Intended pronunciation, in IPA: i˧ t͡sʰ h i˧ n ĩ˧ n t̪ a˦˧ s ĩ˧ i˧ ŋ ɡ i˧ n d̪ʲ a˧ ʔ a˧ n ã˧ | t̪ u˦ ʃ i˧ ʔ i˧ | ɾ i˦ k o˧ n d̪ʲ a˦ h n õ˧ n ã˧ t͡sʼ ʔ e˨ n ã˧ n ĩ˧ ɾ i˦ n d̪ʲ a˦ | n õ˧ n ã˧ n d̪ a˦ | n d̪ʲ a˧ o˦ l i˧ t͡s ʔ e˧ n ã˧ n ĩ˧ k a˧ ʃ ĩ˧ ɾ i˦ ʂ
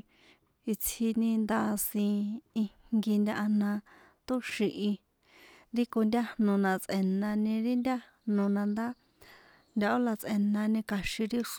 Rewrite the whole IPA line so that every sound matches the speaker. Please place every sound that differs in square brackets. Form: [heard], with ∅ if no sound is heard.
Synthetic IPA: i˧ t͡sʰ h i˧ n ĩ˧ n [d̪] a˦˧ s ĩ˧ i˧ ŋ ɡ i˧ n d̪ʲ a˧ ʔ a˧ n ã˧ | t̪ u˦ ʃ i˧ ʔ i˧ | ɾ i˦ k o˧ n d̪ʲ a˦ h n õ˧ n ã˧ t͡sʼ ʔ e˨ n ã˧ n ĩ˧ ɾ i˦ n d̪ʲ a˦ | n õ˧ n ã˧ n d̪ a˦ | n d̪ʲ a˧ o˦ l [a˧] t͡s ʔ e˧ n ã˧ n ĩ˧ k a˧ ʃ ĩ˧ ɾ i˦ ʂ